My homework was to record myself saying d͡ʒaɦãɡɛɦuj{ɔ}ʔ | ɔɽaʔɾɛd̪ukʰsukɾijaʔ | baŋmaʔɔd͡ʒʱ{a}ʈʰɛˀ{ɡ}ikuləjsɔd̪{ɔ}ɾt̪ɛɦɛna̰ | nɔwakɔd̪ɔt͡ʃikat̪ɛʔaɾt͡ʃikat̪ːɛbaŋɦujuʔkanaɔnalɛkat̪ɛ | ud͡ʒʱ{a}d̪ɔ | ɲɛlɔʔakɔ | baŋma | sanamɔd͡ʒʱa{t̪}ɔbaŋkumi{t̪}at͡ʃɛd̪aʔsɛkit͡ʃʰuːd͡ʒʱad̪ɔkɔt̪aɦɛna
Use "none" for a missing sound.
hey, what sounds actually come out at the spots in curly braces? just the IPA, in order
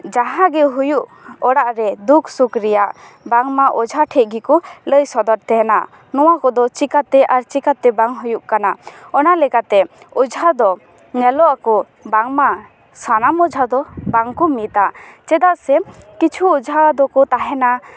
u, a, ɡ, ɔ, a, d̪, t̪

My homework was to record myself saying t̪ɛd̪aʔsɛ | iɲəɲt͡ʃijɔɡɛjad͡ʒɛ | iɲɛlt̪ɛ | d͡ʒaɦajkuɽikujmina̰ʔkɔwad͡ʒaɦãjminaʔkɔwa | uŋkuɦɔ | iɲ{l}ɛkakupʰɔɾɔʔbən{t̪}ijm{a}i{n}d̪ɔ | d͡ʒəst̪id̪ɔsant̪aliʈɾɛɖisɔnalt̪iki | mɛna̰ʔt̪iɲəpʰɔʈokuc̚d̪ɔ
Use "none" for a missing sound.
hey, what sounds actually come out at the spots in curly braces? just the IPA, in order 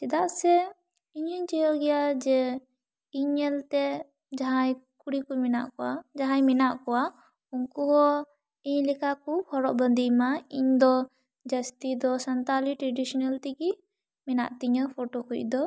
l, d̪, a, ɲ

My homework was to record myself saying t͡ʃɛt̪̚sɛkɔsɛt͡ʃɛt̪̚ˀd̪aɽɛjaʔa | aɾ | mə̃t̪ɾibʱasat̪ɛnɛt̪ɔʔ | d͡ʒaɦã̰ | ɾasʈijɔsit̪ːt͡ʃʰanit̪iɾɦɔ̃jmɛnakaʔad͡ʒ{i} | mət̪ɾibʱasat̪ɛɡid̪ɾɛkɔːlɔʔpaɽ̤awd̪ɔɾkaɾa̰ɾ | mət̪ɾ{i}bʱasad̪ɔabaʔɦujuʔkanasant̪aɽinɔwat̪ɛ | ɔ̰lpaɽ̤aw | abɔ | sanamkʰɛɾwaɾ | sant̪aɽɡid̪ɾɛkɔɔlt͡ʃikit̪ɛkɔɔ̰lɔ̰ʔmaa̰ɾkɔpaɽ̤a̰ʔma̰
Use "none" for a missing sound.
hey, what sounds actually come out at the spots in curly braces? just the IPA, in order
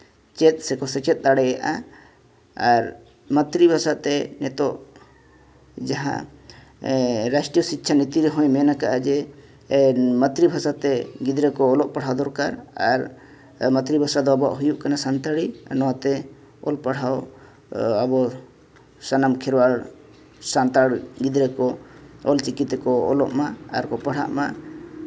ɛ, i

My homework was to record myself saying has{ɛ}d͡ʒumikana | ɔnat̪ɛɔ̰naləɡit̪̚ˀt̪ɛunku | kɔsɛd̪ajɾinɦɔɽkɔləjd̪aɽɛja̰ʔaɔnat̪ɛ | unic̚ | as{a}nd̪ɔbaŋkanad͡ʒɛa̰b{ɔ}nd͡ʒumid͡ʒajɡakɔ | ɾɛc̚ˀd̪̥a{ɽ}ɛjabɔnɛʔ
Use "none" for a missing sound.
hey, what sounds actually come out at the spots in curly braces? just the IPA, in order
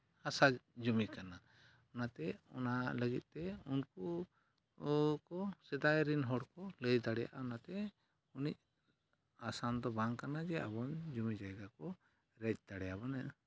a, a, ɔ, ɽ

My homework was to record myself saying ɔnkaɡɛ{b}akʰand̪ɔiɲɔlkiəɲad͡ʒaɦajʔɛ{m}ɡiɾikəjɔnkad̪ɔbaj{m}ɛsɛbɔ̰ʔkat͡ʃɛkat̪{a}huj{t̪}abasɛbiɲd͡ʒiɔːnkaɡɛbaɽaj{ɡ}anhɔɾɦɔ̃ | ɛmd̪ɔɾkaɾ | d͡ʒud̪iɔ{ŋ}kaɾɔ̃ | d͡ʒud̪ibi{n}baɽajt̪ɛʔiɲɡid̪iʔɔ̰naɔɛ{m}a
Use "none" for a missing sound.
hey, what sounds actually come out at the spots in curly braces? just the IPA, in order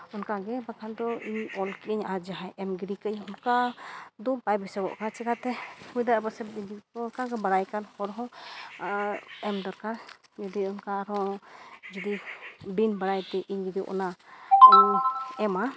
b, m, b, ɛ, d̪, k, n, n, m

